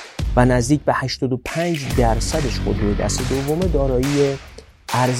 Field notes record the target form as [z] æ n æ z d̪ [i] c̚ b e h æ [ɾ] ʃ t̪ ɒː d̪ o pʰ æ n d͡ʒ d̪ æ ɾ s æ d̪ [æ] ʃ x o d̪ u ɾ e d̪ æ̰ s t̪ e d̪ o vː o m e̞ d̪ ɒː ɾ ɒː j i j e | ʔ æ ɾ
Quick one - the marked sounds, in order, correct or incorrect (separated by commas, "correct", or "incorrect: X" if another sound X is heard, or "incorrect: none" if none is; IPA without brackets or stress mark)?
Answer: incorrect: v, incorrect: iː, incorrect: none, incorrect: e